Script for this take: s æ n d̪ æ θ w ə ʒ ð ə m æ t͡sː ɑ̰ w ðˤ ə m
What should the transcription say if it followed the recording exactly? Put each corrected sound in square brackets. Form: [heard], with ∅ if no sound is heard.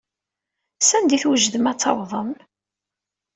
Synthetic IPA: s æ n d̪ [i] θ w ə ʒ ð ə m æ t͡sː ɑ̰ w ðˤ ə m